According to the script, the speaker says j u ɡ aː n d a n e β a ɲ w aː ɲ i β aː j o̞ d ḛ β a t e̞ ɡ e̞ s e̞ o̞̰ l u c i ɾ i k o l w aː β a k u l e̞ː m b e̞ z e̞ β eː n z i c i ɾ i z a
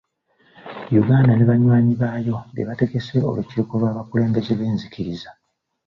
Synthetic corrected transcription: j u ɡ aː n d a n e β a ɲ w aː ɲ i β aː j o̞ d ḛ β a t e̞ ɡ e̞ s e̞ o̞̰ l u c i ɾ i k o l w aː β a k u l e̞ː m b e̞ z e̞ β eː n z i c i ɾ i z a